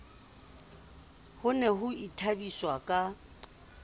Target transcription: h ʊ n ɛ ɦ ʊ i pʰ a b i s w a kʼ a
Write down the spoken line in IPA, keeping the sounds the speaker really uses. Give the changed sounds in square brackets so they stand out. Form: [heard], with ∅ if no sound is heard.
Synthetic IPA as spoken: h ʊ n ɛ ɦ ʊ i [tʰ] a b i s w a kʼ a